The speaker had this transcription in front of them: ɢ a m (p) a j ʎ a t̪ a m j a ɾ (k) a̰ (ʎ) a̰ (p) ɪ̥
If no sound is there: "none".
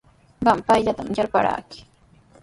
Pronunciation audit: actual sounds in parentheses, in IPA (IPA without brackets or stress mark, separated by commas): p, p, ɾ, k